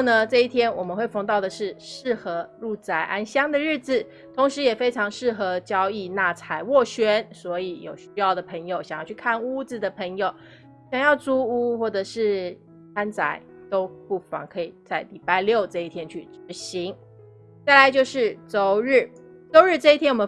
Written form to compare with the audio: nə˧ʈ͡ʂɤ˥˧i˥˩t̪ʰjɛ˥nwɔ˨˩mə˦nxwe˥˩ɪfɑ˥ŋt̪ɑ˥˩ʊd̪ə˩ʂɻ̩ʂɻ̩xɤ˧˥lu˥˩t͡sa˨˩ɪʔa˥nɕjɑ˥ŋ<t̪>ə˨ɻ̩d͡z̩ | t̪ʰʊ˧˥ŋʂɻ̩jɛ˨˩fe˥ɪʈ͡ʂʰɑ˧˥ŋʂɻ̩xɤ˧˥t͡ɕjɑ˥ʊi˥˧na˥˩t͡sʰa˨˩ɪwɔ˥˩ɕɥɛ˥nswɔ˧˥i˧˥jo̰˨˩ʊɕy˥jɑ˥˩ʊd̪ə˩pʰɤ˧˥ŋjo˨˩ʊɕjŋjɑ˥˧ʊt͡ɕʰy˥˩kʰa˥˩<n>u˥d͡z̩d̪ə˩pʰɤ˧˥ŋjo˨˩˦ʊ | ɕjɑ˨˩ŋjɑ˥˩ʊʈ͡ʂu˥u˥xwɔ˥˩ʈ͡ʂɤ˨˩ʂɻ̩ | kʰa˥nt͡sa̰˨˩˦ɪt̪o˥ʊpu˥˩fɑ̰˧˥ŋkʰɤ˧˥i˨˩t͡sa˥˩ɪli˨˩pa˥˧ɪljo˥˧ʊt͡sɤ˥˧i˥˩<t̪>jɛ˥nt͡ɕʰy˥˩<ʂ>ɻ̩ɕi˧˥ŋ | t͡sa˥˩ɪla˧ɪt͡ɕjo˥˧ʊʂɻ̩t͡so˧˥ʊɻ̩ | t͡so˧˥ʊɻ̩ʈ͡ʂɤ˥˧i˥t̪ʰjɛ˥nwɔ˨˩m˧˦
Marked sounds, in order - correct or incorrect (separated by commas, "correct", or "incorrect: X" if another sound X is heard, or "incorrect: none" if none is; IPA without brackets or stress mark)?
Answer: incorrect: d̪, correct, incorrect: t̪ʰ, incorrect: ʈ͡ʂ